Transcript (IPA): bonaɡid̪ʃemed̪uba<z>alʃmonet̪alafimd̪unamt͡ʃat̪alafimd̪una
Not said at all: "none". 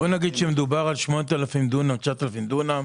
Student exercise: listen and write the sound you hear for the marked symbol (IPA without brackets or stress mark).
ʁ